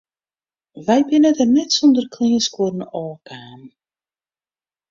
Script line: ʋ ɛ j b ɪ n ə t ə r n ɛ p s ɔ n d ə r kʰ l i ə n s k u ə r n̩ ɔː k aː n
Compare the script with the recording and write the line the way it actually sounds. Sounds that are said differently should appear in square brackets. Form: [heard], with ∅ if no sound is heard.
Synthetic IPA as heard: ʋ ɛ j b ɪ n ə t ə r n ɛ [t] s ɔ n d ə r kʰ l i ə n s k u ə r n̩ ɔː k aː n